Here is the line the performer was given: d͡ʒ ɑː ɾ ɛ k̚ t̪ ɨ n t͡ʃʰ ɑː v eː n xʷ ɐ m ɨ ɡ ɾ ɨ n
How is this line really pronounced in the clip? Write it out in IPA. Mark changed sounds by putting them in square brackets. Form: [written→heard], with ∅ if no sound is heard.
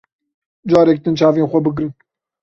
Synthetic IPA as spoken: d͡ʒ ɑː ɾ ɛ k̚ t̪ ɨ n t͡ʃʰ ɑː v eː n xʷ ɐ [m→b] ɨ ɡ ɾ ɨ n